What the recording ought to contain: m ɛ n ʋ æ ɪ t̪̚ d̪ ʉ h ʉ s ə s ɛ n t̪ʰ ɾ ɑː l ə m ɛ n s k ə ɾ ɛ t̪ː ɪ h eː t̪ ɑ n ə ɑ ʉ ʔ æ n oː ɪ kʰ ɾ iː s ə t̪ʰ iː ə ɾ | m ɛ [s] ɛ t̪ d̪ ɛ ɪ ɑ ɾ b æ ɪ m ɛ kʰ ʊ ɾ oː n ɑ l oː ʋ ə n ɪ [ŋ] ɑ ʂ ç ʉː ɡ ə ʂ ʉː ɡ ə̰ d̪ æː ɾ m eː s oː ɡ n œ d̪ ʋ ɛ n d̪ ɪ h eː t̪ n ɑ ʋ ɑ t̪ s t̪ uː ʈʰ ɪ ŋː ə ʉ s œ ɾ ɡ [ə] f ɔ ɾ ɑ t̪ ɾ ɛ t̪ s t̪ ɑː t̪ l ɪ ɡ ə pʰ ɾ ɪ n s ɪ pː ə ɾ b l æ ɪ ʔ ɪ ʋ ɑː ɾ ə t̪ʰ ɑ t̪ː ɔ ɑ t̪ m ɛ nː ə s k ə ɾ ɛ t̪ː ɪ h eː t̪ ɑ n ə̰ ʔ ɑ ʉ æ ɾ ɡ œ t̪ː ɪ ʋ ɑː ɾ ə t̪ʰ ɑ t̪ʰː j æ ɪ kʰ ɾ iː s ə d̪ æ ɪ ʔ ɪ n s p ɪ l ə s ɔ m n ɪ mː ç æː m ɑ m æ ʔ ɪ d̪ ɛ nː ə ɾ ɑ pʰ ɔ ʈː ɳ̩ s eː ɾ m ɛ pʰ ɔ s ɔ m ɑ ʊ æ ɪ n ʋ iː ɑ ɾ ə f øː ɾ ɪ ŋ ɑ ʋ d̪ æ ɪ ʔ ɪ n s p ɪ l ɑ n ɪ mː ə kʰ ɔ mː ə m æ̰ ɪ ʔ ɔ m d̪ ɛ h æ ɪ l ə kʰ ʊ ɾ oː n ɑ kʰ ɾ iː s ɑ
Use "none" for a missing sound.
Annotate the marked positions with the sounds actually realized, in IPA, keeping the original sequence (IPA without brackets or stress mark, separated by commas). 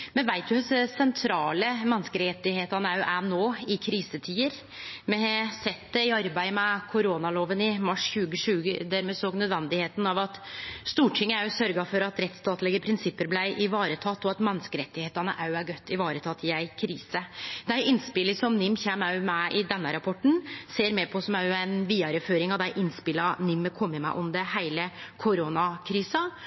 s, m, ɑ